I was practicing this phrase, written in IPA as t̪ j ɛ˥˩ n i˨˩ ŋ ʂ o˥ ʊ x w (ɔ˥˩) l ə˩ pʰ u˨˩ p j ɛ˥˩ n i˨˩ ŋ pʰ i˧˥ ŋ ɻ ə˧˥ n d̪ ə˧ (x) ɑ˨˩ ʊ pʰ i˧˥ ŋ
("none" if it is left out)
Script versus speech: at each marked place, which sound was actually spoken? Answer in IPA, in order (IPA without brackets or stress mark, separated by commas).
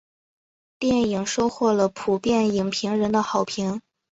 ɔ˥˩, x